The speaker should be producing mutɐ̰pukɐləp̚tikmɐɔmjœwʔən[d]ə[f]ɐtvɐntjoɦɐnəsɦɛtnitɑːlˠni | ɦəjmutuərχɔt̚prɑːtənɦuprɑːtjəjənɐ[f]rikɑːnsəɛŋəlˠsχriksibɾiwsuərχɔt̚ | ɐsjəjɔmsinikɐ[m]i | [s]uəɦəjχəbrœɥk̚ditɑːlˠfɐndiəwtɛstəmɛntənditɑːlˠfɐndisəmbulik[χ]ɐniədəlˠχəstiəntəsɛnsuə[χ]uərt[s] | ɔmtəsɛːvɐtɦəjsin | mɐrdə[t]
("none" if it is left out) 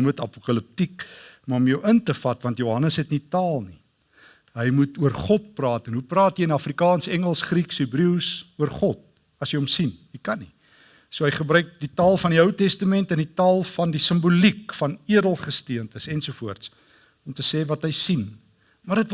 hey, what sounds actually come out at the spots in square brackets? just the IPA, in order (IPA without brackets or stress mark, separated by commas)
t, f, f, n, s, f, f, s, t